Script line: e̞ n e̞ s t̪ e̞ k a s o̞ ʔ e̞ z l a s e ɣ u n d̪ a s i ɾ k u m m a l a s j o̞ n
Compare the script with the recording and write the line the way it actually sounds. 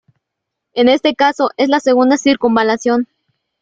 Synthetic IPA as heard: e̞ n e̞ s t̪ e̞ k a s o̞ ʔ e̞ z l a s e ɣ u n d̪ a s i ɾ k u m b a l a s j o̞ n